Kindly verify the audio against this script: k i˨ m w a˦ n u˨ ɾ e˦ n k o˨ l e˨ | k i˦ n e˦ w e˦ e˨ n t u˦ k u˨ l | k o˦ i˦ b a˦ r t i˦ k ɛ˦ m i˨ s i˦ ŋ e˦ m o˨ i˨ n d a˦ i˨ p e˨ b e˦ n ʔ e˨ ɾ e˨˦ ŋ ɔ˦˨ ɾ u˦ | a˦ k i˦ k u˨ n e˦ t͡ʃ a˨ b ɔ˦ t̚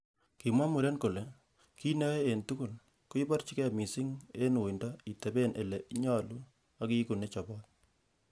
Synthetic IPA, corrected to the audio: k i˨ m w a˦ m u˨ ɾ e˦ n k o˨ l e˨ | k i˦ n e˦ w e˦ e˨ n t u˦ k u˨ l | k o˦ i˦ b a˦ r t͡ʃ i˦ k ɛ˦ m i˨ s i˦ ŋ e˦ n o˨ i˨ n d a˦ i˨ t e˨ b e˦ n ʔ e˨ l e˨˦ ɲ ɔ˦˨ l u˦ | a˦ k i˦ k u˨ n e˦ t͡ʃ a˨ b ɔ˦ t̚